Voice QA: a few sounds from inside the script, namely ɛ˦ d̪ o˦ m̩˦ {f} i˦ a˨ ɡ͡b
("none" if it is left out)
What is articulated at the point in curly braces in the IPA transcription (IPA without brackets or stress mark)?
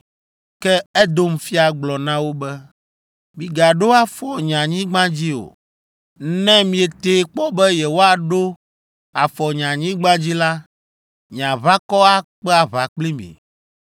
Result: f